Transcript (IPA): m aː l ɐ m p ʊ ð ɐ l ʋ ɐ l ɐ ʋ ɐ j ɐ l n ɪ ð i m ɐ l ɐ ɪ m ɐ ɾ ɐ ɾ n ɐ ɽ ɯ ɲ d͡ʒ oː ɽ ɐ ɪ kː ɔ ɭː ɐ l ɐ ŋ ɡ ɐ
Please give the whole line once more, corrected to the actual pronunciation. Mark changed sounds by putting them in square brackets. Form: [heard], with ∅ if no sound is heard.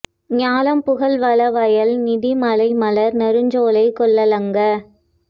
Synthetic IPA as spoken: [ɲ] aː l ɐ m p ʊ [ɣ] ɐ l ʋ ɐ l ɐ ʋ ɐ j ɐ l n ɪ ð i m ɐ l ɐ ɪ m ɐ [l] ɐ ɾ n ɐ [ɾ] ɯ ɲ d͡ʒ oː [l] ɐ ɪ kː ɔ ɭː ɐ l ɐ ŋ ɡ ɐ